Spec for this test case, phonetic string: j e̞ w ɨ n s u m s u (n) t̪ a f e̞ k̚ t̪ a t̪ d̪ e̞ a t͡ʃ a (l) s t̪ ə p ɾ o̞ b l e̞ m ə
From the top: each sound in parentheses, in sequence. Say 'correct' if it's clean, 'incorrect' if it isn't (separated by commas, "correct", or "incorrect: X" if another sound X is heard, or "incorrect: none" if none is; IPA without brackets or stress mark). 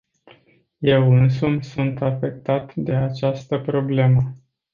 correct, incorrect: none